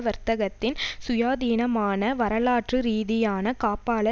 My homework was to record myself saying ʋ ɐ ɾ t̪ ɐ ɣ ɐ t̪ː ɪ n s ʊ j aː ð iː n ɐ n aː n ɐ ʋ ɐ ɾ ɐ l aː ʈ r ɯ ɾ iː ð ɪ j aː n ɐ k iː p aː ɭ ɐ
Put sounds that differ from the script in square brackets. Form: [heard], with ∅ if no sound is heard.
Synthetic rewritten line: ʋ ɐ ɾ t̪ ɐ ɣ ɐ t̪ː ɪ n s ʊ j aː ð iː n ɐ [m] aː n ɐ ʋ ɐ ɾ ɐ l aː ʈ r ɯ ɾ iː ð ɪ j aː n ɐ k [aː] p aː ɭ ɐ